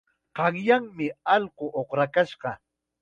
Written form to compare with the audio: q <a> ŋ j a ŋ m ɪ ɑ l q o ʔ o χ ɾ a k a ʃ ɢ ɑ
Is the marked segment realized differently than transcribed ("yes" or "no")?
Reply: yes